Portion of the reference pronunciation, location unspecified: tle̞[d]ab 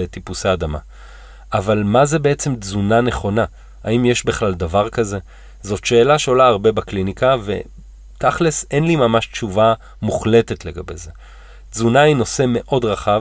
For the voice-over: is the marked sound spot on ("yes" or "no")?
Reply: no